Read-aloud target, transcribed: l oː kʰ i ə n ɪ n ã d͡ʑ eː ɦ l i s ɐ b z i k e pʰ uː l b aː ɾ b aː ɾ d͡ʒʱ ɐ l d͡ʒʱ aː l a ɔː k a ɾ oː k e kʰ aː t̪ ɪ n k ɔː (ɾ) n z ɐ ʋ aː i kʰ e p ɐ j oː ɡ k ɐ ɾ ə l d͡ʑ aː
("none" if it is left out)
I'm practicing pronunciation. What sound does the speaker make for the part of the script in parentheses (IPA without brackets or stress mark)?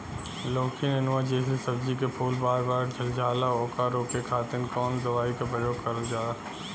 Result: none